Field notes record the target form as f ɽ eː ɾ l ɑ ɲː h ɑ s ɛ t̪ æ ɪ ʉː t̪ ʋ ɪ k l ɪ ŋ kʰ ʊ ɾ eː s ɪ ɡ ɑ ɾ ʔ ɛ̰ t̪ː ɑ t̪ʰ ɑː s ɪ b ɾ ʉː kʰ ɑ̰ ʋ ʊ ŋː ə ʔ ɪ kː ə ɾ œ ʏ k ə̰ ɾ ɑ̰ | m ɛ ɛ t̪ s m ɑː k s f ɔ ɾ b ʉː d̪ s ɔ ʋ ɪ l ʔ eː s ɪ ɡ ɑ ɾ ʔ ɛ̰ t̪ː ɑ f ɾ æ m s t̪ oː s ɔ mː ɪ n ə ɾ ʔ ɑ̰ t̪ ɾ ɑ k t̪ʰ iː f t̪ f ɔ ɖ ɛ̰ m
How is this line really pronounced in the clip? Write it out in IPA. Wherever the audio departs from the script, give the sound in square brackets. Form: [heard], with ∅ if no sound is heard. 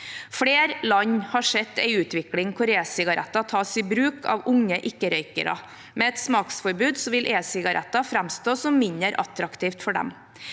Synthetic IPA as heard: f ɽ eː ɾ l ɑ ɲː h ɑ [ʂ] ɛ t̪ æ ɪ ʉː t̪ ʋ ɪ k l ɪ ŋ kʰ ʊ ɾ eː s ɪ ɡ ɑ ɾ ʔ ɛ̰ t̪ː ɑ t̪ʰ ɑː s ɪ b ɾ ʉː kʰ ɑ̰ ʋ ʊ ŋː ə ʔ ɪ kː ə ɾ œ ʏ k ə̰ ɾ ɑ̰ | m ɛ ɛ t̪ s m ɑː k s f ɔ ɾ b ʉː d̪ s ɔ ʋ ɪ l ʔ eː s ɪ ɡ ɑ ɾ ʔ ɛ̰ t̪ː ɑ f ɾ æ m s t̪ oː s ɔ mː ɪ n ə ɾ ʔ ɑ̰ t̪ ɾ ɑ k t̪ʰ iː f t̪ f ɔ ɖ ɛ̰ m